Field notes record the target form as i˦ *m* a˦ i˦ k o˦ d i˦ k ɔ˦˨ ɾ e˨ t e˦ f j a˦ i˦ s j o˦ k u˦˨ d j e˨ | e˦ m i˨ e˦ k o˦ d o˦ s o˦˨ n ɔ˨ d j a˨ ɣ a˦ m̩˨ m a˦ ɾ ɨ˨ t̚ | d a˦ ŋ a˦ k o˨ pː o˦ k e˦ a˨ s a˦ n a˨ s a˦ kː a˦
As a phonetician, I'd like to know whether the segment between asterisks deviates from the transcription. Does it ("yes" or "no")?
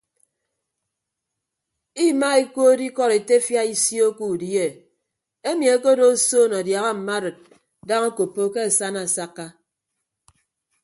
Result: no